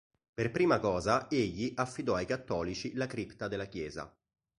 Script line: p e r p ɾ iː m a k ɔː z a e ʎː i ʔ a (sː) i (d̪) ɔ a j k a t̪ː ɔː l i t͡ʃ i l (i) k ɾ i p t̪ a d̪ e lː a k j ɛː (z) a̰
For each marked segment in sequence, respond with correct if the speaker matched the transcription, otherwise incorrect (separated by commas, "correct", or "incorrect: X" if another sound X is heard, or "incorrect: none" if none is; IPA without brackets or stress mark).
incorrect: fː, correct, incorrect: a, correct